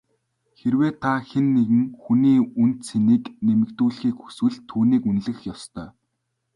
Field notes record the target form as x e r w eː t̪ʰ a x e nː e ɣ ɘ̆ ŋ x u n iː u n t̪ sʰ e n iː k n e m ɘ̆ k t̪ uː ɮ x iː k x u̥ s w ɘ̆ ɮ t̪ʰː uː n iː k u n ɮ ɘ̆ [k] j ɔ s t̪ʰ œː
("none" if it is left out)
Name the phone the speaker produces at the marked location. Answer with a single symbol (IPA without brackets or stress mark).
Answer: x